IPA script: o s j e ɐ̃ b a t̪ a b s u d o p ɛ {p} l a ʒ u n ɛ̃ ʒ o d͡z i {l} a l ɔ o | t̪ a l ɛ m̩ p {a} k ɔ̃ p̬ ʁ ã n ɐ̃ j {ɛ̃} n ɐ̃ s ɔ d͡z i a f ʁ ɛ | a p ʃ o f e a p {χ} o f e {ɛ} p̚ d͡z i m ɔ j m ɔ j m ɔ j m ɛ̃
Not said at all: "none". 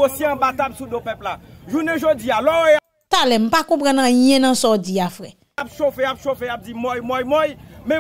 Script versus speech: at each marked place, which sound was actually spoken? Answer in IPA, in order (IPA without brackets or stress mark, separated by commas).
p, none, a, ɛ̃, ʃ, a